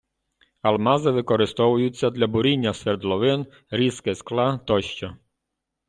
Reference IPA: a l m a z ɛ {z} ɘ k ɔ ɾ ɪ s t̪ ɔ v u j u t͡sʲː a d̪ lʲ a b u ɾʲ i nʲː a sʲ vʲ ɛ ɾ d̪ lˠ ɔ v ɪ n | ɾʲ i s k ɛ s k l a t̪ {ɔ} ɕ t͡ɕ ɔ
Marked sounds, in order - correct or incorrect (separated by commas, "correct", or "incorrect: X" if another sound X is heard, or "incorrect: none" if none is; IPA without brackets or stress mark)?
incorrect: v, correct